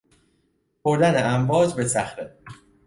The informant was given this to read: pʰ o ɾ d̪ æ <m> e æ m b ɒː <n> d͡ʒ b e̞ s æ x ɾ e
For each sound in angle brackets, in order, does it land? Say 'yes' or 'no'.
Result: no, no

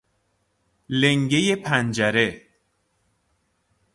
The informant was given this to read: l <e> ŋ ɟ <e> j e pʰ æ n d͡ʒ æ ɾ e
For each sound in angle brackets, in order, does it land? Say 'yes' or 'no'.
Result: yes, yes

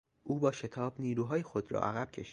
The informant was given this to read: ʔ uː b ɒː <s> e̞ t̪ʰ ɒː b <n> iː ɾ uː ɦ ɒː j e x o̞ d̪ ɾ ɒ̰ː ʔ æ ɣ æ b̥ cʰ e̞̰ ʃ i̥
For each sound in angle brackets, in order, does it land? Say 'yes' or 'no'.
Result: no, yes

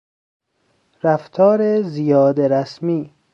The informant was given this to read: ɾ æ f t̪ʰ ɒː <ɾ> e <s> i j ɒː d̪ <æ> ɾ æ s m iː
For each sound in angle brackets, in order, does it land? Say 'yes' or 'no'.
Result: yes, no, no

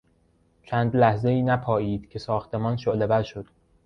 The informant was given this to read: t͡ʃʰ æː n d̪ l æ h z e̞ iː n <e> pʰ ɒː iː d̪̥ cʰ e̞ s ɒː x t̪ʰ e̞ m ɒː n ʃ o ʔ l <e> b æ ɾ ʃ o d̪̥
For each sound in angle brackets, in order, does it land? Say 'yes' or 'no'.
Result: no, yes

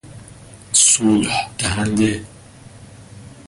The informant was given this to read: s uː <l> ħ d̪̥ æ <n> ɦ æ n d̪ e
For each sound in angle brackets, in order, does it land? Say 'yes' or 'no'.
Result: yes, no

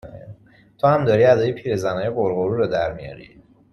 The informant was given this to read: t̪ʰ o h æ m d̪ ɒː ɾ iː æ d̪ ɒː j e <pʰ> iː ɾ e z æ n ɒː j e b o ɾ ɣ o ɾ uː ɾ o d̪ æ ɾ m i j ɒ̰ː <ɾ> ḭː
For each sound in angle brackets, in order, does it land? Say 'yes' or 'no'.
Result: yes, yes

